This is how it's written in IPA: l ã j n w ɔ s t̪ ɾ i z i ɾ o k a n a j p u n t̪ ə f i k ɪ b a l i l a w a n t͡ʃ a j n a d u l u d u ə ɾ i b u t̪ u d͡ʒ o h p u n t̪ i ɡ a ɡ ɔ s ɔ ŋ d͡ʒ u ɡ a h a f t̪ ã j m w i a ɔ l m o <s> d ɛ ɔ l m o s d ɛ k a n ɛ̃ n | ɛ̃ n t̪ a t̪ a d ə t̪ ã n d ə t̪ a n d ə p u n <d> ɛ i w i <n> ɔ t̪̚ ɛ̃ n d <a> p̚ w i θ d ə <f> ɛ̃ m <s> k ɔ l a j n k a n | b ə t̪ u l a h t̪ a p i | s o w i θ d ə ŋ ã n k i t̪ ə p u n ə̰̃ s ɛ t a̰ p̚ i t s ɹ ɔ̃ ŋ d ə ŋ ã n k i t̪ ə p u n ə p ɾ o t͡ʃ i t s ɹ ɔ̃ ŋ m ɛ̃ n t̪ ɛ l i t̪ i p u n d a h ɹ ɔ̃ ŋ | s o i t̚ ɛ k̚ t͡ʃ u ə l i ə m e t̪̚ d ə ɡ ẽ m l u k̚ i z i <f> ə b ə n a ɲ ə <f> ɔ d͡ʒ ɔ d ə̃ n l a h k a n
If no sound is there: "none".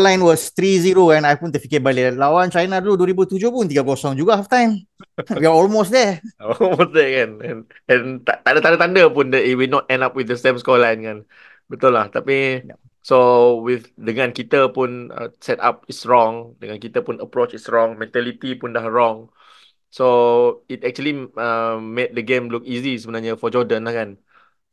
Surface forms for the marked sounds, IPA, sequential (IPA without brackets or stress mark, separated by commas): s, d, n, a, s, s, s, f